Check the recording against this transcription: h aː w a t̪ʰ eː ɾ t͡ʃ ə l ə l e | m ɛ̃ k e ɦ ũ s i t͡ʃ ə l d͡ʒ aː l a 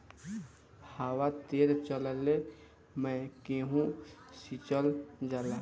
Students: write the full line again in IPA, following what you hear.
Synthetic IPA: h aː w a t̪ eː ɾ t͡ʃ ə l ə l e | m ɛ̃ k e ɦ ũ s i t͡ʃ ə l d͡ʒ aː l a